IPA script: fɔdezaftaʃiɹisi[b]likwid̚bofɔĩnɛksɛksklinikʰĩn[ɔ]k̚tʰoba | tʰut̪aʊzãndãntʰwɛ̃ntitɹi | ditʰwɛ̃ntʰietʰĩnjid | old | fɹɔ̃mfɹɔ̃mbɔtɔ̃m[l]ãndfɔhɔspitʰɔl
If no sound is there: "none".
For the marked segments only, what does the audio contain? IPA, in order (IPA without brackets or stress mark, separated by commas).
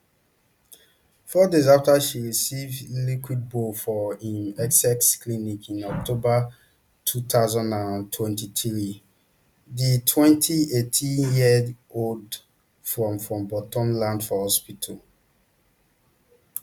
v, ɔ, l